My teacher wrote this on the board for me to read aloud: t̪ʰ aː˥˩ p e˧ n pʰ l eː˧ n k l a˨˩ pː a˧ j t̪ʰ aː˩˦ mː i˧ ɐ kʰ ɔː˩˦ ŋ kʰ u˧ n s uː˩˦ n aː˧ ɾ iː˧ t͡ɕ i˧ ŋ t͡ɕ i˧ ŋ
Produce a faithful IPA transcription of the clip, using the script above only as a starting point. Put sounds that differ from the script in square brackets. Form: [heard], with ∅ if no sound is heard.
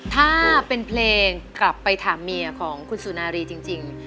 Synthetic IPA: t̪ʰ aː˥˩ p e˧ n pʰ l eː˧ [ŋ] k l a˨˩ pː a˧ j t̪ʰ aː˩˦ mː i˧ ɐ kʰ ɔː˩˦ ŋ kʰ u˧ n s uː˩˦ n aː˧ ɾ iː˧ t͡ɕ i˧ ŋ t͡ɕ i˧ ŋ